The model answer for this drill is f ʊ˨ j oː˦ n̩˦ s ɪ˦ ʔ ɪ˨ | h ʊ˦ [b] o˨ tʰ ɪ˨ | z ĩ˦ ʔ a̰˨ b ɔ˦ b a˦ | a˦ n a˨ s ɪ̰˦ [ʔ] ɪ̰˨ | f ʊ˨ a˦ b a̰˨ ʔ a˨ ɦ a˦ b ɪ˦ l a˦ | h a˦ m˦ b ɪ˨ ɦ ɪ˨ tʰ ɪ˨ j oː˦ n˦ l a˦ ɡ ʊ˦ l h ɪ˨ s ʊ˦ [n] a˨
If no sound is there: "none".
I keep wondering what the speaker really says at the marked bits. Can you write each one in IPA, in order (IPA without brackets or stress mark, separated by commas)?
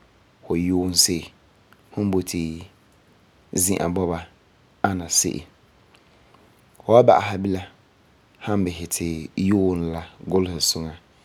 b, ʔ, ŋ